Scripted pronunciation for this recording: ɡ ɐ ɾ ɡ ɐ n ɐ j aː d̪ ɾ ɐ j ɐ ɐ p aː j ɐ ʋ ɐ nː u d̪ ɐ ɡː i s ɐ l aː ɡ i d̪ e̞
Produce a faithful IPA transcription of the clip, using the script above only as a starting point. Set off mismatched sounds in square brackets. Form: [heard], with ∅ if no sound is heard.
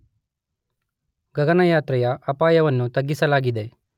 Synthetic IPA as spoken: ɡ ɐ [∅] ɡ ɐ n ɐ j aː [t̪] ɾ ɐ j ɐ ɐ p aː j ɐ ʋ ɐ nː u [t̪] ɐ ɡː i s ɐ l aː ɡ i d̪ e̞